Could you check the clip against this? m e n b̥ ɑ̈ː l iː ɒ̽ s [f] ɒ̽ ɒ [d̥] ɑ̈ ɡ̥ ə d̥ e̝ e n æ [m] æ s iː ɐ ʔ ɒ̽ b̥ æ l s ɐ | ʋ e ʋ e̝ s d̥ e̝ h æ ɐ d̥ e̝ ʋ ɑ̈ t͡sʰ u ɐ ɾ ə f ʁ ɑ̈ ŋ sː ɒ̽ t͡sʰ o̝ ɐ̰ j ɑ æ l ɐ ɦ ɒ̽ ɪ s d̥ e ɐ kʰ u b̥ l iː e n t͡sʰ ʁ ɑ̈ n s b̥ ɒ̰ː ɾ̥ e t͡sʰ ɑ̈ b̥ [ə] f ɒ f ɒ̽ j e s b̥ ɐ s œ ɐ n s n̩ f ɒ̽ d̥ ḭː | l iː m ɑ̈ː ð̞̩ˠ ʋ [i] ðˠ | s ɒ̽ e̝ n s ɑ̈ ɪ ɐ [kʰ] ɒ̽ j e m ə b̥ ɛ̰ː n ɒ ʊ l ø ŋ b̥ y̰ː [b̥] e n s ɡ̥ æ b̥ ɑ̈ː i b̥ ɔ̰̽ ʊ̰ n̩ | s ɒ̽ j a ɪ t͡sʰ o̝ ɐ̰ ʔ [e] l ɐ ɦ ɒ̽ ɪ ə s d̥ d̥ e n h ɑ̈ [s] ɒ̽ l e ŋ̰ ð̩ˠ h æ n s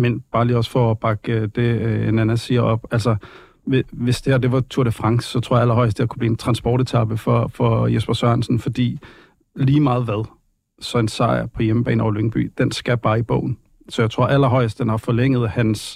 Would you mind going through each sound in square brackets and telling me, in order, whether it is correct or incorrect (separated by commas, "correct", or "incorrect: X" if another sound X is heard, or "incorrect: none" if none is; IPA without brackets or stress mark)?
correct, incorrect: b̥, incorrect: n, correct, incorrect: æ, incorrect: pʰ, incorrect: d̥, incorrect: æ, incorrect: f